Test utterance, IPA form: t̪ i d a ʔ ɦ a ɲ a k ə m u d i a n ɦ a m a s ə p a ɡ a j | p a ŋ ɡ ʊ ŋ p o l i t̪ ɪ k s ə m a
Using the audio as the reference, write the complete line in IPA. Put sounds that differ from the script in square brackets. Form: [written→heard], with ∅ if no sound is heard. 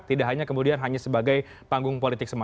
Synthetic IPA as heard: t̪ i d a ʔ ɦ a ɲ a k ə m u d i a n ɦ a [m→ɲ] a s ə [p→b] a ɡ a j | p a ŋ ɡ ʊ ŋ p o l i t̪ ɪ k s ə m a